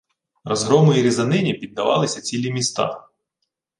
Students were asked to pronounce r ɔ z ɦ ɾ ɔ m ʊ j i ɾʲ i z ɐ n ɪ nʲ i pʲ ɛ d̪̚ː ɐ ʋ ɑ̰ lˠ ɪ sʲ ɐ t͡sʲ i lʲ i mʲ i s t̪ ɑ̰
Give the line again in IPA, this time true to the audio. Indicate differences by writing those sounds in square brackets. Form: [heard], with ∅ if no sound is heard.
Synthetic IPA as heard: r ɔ z ɦ ɾ ɔ m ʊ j i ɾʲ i z ɐ n ɪ nʲ i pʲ [i] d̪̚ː ɐ ʋ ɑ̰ lˠ ɪ sʲ ɐ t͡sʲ i lʲ i mʲ i s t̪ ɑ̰

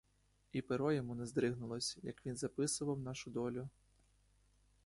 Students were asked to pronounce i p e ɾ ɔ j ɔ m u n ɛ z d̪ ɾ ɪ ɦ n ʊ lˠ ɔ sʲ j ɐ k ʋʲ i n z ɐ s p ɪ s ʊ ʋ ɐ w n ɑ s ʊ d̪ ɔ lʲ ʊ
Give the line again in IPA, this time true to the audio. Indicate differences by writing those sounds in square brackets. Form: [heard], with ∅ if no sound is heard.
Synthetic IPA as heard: i p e ɾ ɔ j ɔ m u n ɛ z d̪ ɾ ɪ ɦ n ʊ lˠ ɔ sʲ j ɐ k ʋʲ i n z ɐ [∅] p ɪ s ʊ ʋ ɐ w n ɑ [ʃ] ʊ d̪ ɔ lʲ ʊ

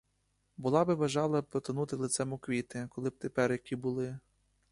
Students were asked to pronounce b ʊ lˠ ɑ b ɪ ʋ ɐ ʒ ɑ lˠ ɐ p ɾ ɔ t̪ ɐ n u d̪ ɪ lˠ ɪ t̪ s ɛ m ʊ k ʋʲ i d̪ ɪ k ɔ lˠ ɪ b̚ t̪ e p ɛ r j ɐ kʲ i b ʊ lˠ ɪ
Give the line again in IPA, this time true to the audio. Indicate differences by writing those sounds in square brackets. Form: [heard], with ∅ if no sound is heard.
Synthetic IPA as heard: b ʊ lˠ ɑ b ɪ ʋ ɐ ʒ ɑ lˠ ɐ p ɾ ɔ t̪ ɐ n u [t̪] ɪ lˠ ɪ t̪ s ɛ m ʊ k ʋʲ i [t̪] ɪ k ɔ lˠ ɪ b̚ t̪ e p ɛ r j ɐ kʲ i b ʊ lˠ ɪ

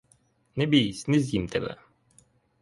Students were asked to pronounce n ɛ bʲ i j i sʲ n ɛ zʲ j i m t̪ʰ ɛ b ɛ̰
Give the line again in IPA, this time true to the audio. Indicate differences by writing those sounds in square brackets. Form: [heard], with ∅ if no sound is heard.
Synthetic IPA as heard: n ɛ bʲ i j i sʲ n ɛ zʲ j i m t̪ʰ ɛ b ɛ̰

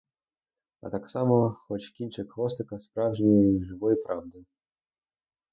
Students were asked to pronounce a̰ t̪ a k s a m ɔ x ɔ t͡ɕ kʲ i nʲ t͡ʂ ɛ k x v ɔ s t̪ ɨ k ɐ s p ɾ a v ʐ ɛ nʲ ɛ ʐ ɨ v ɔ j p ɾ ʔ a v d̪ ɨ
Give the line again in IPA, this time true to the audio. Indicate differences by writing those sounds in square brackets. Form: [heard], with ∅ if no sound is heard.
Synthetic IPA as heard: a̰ t̪ a k s a m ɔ x ɔ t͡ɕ kʲ i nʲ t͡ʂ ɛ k x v ɔ s t̪ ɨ k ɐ s p ɾ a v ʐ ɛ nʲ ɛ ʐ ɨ v ɔ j p ɾ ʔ a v d̪ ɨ

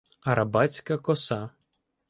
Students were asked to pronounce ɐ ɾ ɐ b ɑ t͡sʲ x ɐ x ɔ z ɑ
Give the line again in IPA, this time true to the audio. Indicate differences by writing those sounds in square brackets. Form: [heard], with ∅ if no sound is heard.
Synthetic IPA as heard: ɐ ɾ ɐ b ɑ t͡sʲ [k] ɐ [k] ɔ [s] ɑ

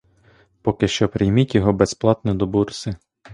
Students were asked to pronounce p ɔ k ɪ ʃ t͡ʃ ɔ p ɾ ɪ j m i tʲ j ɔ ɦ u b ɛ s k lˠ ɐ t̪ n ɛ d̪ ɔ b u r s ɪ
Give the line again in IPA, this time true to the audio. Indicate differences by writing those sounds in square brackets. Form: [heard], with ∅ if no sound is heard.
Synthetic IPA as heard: p ɔ k ɪ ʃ t͡ʃ ɔ p ɾ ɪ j m i tʲ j ɔ ɦ [ɔ] b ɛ s [p] lˠ [ɑ] t̪ n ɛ d̪ ɔ b u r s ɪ

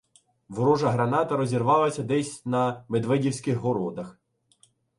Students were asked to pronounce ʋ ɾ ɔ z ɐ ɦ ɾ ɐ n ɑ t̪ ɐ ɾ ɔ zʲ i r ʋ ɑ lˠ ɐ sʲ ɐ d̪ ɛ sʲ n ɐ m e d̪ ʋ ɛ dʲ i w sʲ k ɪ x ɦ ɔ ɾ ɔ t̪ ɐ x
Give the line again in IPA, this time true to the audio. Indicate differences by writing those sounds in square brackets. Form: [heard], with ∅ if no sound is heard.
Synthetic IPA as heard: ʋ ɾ ɔ [ʒ] ɐ ɦ ɾ ɐ n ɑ t̪ ɐ ɾ ɔ zʲ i r ʋ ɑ lˠ ɐ sʲ ɐ d̪ ɛ sʲ n ɐ m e d̪ ʋ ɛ dʲ i w sʲ k ɪ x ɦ ɔ ɾ ɔ [d̪] ɐ x

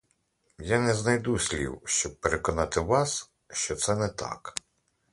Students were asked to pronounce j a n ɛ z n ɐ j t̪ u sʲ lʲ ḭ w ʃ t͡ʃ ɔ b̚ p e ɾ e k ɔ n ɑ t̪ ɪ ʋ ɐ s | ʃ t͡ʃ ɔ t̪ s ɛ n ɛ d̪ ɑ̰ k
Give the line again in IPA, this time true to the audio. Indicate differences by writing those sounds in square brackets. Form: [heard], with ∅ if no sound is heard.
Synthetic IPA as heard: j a n ɛ z n ɐ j [d̪] u sʲ lʲ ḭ w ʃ t͡ʃ ɔ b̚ p e ɾ e k ɔ n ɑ t̪ ɪ ʋ [ɑ] s | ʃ t͡ʃ ɔ t̪ s ɛ n ɛ [t̪] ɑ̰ k

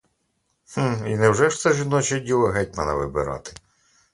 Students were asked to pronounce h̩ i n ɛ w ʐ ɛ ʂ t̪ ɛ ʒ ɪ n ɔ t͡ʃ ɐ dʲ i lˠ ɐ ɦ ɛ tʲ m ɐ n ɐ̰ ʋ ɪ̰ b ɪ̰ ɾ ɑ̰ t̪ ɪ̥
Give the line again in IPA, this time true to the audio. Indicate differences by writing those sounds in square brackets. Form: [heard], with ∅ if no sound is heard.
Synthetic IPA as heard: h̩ i n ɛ w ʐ ɛ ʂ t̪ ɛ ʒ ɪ n ɔ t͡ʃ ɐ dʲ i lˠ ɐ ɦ ɛ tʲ m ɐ n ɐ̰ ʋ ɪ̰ b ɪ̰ ɾ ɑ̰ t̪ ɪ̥

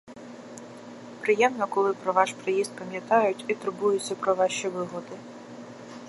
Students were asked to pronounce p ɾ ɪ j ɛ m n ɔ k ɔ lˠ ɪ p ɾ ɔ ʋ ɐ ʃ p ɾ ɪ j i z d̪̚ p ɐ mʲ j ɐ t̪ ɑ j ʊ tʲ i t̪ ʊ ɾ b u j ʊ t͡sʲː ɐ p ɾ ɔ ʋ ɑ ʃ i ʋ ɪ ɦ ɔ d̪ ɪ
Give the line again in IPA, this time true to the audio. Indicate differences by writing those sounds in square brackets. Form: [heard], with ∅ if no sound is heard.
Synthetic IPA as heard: p ɾ ɪ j ɛ m n ɔ k ɔ lˠ ɪ p ɾ ɔ ʋ [ɑ] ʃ p ɾ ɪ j i z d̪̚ p ɐ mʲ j ɐ t̪ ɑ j ʊ tʲ i t̪ ʊ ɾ b u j ʊ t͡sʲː ɐ p ɾ ɔ ʋ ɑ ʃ i ʋ ɪ ɦ ɔ d̪ ɪ

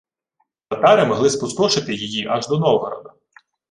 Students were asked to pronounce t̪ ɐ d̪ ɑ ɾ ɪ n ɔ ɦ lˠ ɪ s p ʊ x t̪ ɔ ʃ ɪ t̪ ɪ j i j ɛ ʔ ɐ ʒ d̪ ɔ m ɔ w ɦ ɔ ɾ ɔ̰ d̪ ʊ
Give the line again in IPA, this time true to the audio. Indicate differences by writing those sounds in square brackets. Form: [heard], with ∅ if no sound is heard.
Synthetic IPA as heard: t̪ ɐ [t̪] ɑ ɾ ɪ [m] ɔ ɦ lˠ ɪ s p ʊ [s] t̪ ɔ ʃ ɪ t̪ ɪ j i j [i] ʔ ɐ ʒ d̪ ɔ [n] ɔ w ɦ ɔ ɾ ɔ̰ d̪ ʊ

